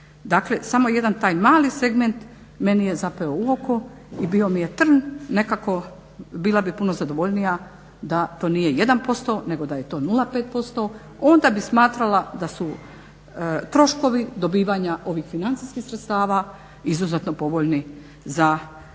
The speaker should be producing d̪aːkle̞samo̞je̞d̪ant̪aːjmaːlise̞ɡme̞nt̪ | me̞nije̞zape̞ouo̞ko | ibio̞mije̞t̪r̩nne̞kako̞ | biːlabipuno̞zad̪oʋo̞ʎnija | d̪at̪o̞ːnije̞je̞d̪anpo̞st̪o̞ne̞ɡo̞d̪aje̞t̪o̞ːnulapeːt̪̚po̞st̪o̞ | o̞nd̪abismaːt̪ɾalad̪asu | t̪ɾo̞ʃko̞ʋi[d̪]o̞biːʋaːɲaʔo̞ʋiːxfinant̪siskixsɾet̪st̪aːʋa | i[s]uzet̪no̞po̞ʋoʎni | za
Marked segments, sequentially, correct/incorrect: correct, incorrect: z

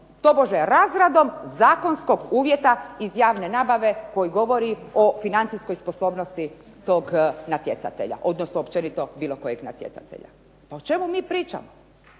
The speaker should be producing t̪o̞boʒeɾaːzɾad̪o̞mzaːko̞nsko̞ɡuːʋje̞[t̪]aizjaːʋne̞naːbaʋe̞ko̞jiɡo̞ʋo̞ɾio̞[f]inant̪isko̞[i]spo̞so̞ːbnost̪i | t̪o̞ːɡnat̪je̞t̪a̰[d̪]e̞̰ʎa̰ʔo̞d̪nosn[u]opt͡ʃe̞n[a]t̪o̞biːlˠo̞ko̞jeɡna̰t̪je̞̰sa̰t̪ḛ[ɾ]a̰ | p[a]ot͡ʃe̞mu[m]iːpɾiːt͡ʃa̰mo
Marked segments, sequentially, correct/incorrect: correct, correct, incorrect: j, incorrect: t̪, incorrect: o, incorrect: i, incorrect: ʎ, correct, correct

